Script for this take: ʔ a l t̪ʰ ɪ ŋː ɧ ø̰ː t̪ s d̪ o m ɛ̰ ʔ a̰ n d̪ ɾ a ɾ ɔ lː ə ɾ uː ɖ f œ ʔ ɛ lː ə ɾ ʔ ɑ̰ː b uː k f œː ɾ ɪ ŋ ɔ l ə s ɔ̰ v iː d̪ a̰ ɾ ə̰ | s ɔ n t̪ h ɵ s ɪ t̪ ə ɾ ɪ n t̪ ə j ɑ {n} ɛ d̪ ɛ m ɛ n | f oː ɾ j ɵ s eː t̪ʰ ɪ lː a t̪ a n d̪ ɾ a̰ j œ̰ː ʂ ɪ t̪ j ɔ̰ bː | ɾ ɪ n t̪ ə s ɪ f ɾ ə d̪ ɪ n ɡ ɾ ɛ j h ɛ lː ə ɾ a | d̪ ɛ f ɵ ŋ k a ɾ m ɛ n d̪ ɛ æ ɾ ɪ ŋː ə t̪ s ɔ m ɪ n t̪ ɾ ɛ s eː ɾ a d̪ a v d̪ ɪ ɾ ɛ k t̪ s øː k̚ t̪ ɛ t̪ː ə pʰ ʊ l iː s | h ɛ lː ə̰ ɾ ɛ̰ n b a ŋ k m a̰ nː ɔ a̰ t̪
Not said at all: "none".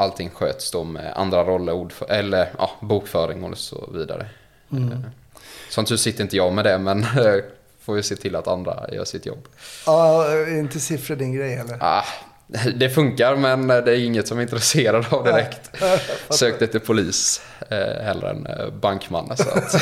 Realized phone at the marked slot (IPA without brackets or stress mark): m